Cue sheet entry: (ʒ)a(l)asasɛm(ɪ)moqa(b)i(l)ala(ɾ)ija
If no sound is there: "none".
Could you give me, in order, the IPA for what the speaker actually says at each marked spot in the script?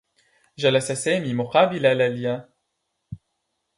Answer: ʒ, l, i, b, l, l

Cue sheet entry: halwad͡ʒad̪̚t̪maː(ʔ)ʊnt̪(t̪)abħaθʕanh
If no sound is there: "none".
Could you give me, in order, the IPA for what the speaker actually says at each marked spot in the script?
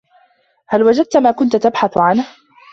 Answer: k, t̪

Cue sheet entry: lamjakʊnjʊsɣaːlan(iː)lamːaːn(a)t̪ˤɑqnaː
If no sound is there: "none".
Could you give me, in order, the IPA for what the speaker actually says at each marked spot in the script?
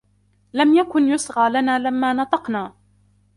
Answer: aː, ɑ

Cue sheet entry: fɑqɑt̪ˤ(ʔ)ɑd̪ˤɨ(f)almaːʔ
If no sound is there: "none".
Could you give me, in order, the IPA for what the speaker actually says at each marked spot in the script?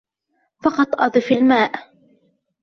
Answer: ʔ, f

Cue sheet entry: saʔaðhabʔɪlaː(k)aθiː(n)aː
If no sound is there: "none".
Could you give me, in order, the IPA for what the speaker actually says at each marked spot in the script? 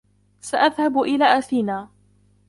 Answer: ʔ, n

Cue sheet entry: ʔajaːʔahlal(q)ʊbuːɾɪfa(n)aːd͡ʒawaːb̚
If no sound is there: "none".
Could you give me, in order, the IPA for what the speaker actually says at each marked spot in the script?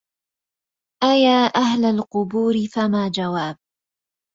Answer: q, m

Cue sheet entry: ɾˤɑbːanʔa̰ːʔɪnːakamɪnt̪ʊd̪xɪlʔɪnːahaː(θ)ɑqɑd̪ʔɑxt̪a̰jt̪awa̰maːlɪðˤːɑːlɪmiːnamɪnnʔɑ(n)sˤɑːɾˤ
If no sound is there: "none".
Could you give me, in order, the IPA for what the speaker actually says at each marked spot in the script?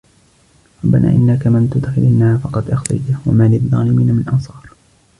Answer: f, n

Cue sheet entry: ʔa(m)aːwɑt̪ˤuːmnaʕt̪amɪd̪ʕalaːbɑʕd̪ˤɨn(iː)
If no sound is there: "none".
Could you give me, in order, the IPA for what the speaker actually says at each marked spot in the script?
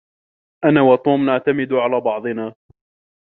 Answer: n, aː

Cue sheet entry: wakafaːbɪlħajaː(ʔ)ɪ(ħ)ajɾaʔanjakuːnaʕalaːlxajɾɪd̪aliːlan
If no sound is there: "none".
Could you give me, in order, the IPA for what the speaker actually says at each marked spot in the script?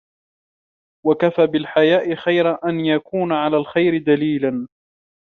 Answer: ʔ, x

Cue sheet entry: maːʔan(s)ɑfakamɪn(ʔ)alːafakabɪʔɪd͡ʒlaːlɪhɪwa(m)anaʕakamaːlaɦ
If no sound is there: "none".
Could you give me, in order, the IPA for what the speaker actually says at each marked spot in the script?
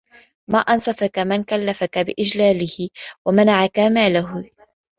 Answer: s, k, m

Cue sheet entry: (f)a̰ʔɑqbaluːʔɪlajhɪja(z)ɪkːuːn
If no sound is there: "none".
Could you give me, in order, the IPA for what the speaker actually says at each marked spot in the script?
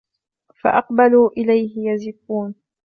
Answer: f, z

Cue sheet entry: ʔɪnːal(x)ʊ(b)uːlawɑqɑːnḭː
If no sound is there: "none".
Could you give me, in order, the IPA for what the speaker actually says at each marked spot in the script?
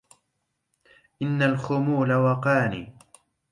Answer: x, m

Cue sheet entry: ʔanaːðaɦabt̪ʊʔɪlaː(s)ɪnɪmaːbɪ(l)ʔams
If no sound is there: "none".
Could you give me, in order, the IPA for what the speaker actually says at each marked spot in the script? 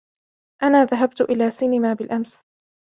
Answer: s, l

